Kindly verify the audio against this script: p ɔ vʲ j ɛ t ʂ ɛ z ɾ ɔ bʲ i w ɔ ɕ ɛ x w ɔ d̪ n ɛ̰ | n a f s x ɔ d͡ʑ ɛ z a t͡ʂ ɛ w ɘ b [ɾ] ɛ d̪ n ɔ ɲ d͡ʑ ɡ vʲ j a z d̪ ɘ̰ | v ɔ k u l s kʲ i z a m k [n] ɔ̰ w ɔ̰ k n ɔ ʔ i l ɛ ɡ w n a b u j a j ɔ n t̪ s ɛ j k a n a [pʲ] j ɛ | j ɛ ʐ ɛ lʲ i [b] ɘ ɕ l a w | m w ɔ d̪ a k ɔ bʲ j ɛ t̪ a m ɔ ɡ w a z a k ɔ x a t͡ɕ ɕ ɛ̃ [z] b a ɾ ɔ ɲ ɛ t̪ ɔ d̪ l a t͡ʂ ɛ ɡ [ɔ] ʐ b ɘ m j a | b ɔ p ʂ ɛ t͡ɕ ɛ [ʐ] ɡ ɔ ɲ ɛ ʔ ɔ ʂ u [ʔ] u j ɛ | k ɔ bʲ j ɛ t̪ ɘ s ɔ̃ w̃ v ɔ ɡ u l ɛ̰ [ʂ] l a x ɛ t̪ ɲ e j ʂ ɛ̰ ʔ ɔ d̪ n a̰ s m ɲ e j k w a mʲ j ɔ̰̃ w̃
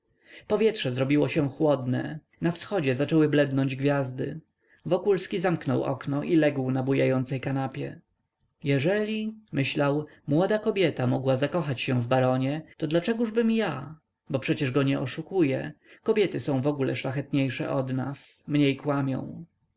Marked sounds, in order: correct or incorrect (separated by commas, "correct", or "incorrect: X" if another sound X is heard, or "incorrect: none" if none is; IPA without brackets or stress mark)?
incorrect: l, correct, correct, incorrect: m, incorrect: v, incorrect: u, correct, incorrect: k, correct